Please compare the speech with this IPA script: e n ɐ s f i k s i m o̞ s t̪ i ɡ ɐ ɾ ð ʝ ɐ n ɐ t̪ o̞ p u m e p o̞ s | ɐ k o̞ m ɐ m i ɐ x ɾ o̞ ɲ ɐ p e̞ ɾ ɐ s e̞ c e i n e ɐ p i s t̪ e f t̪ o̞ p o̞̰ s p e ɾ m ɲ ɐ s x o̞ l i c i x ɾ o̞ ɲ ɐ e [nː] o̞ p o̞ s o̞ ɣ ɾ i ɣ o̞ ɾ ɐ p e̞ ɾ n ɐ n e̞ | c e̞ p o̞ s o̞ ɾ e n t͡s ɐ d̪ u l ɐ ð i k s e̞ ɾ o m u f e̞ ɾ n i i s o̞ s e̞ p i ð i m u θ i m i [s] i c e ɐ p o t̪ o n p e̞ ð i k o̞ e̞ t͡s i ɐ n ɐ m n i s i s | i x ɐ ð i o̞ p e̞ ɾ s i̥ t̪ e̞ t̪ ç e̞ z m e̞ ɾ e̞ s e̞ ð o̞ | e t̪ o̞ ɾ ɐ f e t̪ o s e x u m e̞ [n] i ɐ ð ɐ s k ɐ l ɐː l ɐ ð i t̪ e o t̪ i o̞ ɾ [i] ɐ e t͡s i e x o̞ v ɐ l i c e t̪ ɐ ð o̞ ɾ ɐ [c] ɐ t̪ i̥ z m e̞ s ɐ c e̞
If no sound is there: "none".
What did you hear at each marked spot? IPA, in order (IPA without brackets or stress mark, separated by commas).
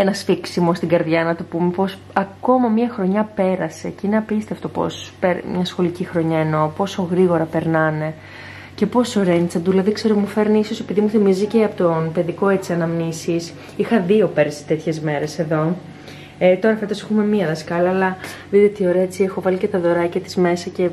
n, z, m, e, c